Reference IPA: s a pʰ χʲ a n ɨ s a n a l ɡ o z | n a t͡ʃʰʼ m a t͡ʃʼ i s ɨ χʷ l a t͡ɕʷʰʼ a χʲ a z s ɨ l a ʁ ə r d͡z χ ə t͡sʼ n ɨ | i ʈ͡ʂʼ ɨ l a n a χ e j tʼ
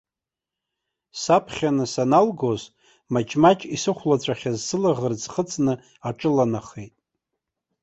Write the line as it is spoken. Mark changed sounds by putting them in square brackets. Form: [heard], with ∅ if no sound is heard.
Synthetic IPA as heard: s a pʰ χʲ a n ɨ s a n a l ɡ o z | [m] a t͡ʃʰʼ m a t͡ʃʼ i s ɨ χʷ l a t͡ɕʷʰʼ a χʲ a z s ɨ l a ʁ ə r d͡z χ ə t͡sʼ n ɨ | [a] ʈ͡ʂʼ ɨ l a n a χ e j tʼ